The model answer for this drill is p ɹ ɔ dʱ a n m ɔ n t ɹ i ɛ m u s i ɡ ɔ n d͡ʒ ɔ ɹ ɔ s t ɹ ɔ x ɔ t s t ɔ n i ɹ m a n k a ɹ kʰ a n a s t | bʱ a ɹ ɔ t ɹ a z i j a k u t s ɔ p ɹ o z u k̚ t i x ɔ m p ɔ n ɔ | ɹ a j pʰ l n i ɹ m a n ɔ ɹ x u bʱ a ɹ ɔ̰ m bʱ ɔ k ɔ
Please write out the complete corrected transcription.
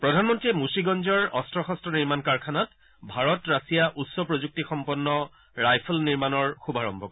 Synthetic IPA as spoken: p ɹ ɔ dʱ a n m ɔ n t ɹ i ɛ m u s i ɡ ɔ n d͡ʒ ɔ ɹ ɔ s t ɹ ɔ x ɔ s t ɔ n i ɹ m a n k a ɹ kʰ a n a t | bʱ a ɹ ɔ t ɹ a s i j a ʔ u t s ɔ p ɹ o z u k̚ t i x ɔ m p ɔ nː ɔ | ɹ a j pʰ l n i ɹ m a n ɔ ɹ x u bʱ a ɹ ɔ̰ m bʱ ɔ k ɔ

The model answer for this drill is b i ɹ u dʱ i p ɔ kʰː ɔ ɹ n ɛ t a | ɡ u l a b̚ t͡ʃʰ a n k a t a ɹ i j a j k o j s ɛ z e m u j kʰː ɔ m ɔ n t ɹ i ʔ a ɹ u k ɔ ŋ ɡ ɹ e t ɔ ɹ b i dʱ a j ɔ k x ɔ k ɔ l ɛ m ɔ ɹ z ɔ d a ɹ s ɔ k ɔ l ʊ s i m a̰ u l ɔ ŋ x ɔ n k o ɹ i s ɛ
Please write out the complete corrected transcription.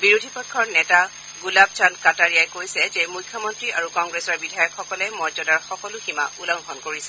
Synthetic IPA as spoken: b i ɹ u dʱ i p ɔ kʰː ɔ ɹ n ɛ t a | ɡ u l a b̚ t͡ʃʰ a n k a t a ɹ i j a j k o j s ɛ z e m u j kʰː ɔ m ɔ n t ɹ i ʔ a ɹ u k ɔ ŋ ɡ ɹ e s ɔ ɹ b i dʱ a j ɔ k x ɔ k ɔ l ɛ m ɔ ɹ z ɔ d a ɹ x ɔ k ɔ l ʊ x i m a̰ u l ɔ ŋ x ɔ n k o ɹ i s ɛ

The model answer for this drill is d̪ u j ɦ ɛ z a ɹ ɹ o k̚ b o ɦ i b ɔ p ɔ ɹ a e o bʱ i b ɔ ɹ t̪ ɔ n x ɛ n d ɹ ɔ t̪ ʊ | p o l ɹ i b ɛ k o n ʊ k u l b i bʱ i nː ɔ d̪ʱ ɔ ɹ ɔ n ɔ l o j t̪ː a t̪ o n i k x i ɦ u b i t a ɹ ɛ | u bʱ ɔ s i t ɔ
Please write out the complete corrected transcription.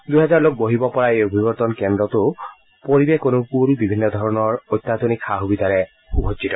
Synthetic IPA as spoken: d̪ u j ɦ ɛ z a ɹ l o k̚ b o ɦ i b ɔ p ɔ ɹ a e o bʱ i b ɔ ɹ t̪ ɔ n k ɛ n d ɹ ɔ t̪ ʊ | p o ɹ i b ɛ k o n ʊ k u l b i bʱ i nː ɔ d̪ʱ ɔ ɹ ɔ n ɔ ɹ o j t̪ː a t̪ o n i k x a ɦ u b i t a ɹ ɛ | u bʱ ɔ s i t ɔ

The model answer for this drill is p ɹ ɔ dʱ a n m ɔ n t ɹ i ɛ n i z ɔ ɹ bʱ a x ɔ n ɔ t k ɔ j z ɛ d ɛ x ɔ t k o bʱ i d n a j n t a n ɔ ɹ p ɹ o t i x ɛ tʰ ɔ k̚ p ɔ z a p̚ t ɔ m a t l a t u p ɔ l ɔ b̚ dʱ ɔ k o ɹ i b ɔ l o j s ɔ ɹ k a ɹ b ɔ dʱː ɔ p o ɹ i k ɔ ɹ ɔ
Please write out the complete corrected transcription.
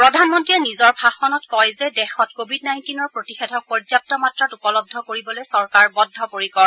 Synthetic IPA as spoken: p ɹ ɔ dʱ a n m ɔ n t ɹ i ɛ n i z ɔ ɹ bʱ a x ɔ n ɔ t k ɔ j z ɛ d ɛ x ɔ t k o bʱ i d n a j n t i n ɔ ɹ p ɹ o t i x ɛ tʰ ɔ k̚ p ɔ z a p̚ t ɔ m a t ɹ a t u p ɔ l ɔ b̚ dʱ ɔ k o ɹ i b ɔ l o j s ɔ ɹ k a ɹ b ɔ dʱː ɔ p o ɹ i k ɔ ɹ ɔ

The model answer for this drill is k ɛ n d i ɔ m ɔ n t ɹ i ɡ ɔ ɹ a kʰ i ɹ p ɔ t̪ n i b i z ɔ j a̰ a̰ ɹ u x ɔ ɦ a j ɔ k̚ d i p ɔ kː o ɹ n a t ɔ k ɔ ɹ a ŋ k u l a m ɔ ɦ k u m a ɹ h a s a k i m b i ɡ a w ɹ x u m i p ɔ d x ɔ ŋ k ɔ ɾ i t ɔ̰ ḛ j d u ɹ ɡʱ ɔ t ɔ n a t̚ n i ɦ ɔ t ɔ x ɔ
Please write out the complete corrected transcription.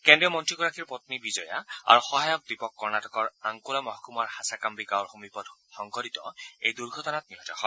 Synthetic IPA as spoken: k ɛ n d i ɔ m ɔ n t ɹ i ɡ ɔ ɹ a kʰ i ɹ p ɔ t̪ n i b i z ɔ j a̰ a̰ ɹ u x ɔ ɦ a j ɔ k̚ d i p ɔ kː ɔ ɹ n a t ɔ k ɔ ɹ a ŋ k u l a m ɔ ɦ k u m a ɹ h a s a k a m b i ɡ a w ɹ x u m i p ɔ d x ɔ ŋ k ɔ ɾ i t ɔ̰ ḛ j d u ɹ ɡʱ ɔ t ɔ n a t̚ n i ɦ ɔ t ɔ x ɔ

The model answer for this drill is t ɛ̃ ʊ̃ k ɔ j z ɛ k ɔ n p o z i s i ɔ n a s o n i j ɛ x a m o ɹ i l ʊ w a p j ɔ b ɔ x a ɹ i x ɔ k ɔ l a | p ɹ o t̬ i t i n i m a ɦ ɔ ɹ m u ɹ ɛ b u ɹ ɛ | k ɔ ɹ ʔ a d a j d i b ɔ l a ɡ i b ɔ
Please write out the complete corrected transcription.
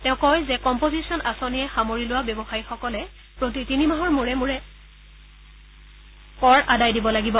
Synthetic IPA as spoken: t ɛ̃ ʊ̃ k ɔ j z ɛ k ɔ m p o z i s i ɔ n a s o n i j ɛ x a m o ɹ i l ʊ w a b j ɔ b ɔ x a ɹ i x ɔ k ɔ l ɛ | p ɹ o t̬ i t i n i m a ɦ ɔ ɹ m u ɹ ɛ m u ɹ ɛ | k ɔ ɹ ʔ a d a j d i b ɔ l a ɡ i b ɔ

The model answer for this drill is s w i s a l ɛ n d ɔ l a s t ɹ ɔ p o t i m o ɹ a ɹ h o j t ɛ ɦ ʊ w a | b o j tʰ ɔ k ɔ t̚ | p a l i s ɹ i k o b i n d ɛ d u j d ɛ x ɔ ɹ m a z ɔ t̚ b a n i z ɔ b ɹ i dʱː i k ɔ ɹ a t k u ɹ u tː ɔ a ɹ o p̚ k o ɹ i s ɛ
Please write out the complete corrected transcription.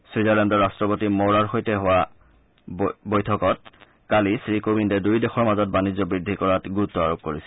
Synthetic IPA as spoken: s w i z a l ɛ n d ɔ ɹ a s t ɹ ɔ p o t i m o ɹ a ɹ x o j t ɛ ɦ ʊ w a | b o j tʰ ɔ k ɔ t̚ | k a l i s ɹ i k o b i n d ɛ d u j d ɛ x ɔ ɹ m a z ɔ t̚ b a n i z ɔ b ɹ i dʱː i k ɔ ɹ a t ɡ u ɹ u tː ɔ a ɹ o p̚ k o ɹ i s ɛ

